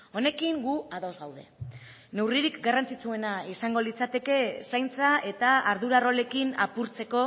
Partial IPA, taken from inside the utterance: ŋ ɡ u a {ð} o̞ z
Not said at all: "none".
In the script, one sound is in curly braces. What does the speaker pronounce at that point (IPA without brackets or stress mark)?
ð